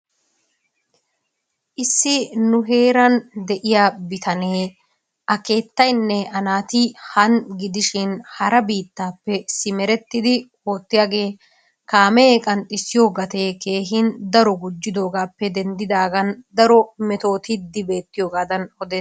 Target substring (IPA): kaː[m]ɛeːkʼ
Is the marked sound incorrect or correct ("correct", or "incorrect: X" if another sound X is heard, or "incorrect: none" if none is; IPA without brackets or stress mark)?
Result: correct